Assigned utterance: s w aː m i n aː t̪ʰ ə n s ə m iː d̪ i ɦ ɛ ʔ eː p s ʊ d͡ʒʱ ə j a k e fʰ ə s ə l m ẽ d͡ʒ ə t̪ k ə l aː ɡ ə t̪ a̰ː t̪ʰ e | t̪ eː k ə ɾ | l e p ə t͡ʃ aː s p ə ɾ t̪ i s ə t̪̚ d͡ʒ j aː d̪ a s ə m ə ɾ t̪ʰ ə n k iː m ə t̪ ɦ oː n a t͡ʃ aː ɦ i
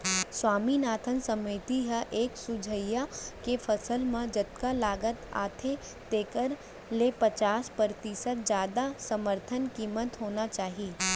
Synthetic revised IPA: s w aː m i n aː t̪ʰ ə n s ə m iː t̪ i ɦ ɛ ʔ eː k s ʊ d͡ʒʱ ə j a k e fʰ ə s ə l m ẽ d͡ʒ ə t̪ k a l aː ɡ ə t̪ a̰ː t̪ʰ e | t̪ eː k ə ɾ | l e p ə t͡ʃ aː s p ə ɾ t̪ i s ə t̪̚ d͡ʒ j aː d̪ a s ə m ə ɾ t̪ʰ ə n k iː m ə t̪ ɦ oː n a t͡ʃ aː ɦ i